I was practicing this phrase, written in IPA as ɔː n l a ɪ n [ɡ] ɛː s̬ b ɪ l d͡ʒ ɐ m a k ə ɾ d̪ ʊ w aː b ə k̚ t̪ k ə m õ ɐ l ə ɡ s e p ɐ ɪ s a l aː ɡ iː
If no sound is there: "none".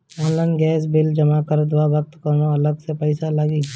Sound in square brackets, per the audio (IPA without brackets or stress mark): ɡ